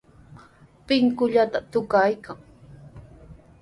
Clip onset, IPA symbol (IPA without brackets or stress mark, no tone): p